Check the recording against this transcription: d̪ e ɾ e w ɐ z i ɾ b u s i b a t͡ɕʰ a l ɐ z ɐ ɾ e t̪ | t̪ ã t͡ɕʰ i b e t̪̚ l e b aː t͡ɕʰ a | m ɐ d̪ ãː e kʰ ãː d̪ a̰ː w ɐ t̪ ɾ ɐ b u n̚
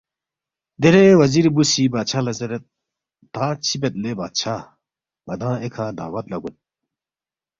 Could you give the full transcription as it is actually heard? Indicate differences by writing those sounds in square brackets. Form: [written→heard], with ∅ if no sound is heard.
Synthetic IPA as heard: d̪ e ɾ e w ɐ z i ɾ b u s i b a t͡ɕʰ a l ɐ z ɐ ɾ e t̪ | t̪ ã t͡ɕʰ i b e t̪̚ l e b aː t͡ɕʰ a | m ɐ d̪ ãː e kʰ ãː d̪ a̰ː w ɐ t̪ [ɾ→l] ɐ [b→ɡ] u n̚